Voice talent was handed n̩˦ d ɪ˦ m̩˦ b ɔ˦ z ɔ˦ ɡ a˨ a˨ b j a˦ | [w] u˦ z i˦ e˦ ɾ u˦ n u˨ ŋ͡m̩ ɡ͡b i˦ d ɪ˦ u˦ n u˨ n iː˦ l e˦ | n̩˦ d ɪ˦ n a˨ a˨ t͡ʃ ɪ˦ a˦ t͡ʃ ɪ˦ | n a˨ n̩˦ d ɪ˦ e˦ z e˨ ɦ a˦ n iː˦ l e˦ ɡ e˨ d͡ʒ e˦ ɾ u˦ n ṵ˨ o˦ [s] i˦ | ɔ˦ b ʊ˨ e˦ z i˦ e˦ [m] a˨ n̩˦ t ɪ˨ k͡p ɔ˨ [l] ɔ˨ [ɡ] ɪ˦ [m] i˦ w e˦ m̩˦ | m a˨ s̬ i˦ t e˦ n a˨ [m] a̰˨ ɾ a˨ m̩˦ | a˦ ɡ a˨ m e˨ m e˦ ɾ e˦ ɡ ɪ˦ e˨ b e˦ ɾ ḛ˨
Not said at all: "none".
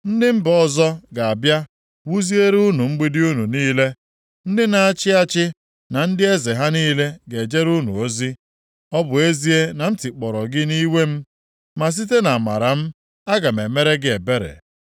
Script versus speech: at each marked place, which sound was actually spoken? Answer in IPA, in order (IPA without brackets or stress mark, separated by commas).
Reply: w, z, n, ɾ, ɡ, n, m